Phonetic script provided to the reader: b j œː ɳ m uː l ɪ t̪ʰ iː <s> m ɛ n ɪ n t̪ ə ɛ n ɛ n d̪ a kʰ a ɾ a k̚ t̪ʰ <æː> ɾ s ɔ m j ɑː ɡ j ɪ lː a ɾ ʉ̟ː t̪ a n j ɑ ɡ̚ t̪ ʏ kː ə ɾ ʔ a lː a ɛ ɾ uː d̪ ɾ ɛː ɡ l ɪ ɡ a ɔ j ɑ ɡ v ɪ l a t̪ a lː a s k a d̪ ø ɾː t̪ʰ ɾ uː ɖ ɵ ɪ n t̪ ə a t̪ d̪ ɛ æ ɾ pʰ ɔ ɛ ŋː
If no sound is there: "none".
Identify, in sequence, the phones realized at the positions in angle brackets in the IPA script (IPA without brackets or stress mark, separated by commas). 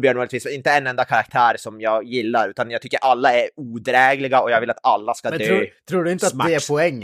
s, æː